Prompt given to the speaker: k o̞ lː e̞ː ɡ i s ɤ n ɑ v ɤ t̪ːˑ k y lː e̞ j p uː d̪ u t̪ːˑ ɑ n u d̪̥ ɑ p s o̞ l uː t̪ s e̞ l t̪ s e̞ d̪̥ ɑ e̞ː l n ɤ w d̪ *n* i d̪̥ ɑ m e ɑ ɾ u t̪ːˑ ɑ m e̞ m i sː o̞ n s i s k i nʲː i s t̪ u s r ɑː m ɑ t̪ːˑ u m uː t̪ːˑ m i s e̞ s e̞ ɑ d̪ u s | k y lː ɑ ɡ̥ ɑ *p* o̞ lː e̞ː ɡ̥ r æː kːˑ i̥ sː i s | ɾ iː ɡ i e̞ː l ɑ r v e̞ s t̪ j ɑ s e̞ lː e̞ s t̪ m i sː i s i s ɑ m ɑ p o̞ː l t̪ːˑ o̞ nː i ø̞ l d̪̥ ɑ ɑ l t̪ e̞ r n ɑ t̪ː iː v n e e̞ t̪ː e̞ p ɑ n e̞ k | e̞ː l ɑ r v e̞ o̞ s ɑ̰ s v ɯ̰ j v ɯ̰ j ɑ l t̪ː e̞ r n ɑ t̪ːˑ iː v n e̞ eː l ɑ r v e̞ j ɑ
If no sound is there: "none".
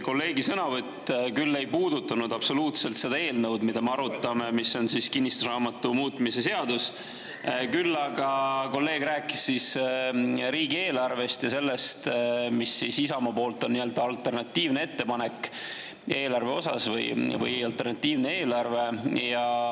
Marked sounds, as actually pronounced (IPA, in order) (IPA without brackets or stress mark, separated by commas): m, k